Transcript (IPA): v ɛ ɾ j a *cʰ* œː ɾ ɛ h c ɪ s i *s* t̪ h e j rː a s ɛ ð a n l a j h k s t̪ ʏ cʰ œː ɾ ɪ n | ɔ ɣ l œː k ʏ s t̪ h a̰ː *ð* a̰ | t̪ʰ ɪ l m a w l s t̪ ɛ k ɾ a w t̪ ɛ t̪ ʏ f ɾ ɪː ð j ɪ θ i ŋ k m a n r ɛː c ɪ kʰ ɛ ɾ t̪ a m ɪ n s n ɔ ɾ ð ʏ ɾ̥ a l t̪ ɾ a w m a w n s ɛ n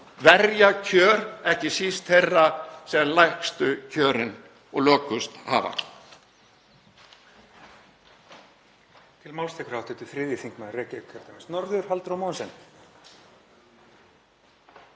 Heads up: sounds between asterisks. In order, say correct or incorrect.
correct, correct, incorrect: v

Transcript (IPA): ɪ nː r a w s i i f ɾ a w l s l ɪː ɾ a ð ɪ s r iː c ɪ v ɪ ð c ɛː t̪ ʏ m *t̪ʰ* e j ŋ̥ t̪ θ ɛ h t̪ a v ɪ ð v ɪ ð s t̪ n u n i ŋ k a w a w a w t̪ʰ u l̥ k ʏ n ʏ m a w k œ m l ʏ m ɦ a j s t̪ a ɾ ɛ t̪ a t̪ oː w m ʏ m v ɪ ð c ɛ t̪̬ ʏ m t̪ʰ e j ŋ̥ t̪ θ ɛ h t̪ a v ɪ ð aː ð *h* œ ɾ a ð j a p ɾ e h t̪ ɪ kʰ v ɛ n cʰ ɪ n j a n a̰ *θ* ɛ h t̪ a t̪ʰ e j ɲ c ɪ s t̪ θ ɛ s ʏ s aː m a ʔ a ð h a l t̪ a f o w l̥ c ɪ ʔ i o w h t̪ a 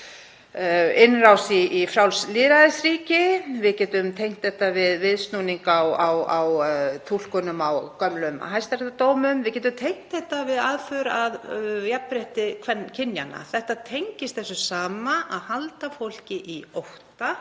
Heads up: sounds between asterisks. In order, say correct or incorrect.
correct, incorrect: f, correct

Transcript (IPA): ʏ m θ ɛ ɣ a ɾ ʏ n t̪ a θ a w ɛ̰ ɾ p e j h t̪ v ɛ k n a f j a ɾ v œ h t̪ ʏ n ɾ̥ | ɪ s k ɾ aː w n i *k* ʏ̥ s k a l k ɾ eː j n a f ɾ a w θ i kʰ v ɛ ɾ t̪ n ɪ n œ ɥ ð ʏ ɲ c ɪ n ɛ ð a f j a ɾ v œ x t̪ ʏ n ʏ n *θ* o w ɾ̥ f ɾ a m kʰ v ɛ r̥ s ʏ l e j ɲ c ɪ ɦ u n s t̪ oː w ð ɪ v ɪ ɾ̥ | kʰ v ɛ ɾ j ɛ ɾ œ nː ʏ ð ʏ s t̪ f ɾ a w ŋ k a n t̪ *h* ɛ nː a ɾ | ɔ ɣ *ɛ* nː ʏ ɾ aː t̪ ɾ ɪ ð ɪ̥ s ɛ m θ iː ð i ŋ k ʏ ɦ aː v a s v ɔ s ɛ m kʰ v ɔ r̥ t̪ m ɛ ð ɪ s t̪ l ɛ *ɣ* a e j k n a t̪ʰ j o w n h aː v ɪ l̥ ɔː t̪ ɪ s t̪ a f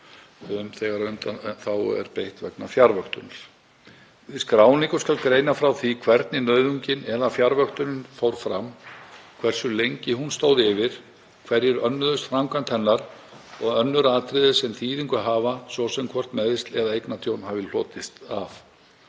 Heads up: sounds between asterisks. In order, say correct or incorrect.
correct, incorrect: f, correct, incorrect: œ, incorrect: ð

